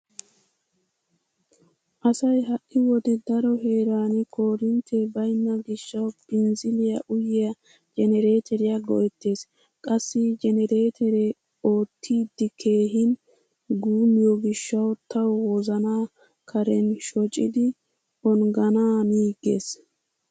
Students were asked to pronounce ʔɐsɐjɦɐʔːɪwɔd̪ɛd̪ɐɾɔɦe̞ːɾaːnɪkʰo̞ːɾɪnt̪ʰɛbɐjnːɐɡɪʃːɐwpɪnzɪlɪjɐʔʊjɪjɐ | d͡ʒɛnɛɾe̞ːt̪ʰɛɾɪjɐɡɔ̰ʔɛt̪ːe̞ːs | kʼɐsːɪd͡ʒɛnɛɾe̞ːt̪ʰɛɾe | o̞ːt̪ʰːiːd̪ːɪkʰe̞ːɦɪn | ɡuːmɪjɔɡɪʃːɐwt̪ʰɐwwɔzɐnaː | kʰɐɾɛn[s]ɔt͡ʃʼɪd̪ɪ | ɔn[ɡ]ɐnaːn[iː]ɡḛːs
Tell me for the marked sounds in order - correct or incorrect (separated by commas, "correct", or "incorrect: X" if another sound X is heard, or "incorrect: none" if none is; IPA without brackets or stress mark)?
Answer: incorrect: ʃ, correct, correct